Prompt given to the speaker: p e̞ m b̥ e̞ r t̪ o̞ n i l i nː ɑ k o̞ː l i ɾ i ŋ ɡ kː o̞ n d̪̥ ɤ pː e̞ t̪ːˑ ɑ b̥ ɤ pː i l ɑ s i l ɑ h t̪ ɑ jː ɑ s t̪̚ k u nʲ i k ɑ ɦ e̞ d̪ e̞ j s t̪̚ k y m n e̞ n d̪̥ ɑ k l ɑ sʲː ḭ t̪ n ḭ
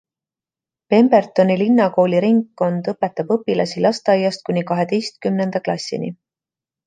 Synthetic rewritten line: p e̞ m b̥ e̞ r t̪ o̞ n i l i nː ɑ k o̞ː l i ɾ i ŋ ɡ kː o̞ n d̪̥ ɤ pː e̞ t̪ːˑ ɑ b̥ ɤ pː i l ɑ s i l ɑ s t̪ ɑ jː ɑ s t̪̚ k u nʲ i k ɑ ɦ e̞ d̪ e̞ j s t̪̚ k y m n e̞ n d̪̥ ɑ k l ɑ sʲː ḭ n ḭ